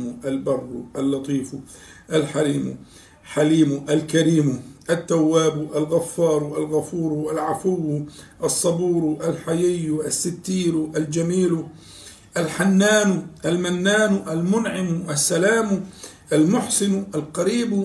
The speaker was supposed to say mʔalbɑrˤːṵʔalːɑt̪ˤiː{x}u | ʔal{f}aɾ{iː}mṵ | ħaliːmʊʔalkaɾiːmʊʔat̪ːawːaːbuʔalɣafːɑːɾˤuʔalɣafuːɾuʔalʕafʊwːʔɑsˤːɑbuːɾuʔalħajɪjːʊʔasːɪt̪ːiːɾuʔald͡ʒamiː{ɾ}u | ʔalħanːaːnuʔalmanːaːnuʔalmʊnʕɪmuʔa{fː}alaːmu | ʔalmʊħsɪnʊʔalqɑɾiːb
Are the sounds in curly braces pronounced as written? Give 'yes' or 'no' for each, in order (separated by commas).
no, no, yes, no, no